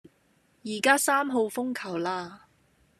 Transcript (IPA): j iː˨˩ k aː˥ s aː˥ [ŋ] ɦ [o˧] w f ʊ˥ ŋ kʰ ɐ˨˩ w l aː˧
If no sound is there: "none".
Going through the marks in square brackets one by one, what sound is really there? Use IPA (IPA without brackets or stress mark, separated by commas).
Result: m, o˧